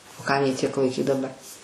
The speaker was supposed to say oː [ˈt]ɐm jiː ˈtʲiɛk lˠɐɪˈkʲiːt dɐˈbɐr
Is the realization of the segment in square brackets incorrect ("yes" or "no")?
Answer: yes